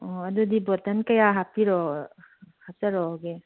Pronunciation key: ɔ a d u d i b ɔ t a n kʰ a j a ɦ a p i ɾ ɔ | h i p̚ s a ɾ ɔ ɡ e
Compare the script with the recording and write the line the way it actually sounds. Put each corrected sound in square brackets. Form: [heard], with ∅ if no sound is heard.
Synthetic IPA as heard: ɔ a d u d i b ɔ t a n [k] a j a ɦ a p i ɾ ɔ | h [a] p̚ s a ɾ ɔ ɡ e